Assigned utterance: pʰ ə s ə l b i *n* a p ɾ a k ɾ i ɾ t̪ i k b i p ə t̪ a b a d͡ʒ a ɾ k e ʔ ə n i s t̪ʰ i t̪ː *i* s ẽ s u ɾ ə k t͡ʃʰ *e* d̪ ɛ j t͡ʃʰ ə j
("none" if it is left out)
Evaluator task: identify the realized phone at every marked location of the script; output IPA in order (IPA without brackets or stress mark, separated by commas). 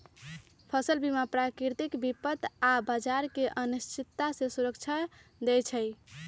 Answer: m, a, a